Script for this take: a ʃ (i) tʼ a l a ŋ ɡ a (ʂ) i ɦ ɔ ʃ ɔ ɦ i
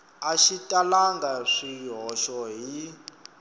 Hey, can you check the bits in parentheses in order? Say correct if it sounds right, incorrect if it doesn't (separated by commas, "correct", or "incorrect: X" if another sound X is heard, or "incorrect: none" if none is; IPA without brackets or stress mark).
correct, correct